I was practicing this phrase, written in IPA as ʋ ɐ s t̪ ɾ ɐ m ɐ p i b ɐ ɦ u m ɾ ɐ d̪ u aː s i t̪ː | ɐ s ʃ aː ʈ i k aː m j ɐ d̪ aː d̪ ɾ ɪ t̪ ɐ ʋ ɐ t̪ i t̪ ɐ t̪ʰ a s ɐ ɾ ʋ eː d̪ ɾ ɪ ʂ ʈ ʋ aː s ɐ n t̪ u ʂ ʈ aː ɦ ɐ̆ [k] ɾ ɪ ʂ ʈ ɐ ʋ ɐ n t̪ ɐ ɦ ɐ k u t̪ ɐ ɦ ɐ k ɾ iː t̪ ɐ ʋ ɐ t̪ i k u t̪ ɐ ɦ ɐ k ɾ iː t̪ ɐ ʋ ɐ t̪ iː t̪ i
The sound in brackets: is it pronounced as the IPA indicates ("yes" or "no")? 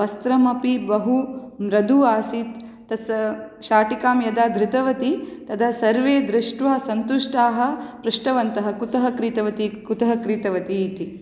no